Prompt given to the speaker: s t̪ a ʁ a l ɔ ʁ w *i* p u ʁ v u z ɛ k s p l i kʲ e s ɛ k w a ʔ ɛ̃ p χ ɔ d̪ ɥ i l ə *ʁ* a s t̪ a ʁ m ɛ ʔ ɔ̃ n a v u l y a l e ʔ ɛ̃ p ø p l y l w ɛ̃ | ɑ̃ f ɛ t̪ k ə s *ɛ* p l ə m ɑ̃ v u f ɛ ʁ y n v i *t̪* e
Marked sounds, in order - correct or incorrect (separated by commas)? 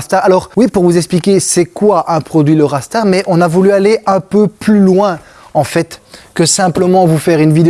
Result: correct, correct, incorrect, incorrect